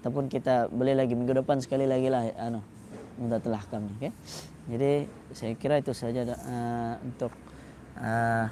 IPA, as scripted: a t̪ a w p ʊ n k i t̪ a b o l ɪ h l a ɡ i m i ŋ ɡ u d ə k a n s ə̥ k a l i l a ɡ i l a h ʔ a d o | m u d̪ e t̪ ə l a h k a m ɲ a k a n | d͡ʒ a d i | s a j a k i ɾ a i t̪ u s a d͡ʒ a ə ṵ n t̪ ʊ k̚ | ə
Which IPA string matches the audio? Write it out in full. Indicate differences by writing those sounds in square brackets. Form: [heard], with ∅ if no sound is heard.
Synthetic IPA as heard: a t̪ a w p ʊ n k i t̪ a b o l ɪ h l a ɡ i m i ŋ ɡ u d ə [p] a n s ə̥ k a l i l a ɡ i l a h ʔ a [n] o | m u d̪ [a] t̪ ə l a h k a m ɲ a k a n | d͡ʒ a d i | s a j a k i ɾ a i t̪ u s a d͡ʒ a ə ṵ n t̪ ʊ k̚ | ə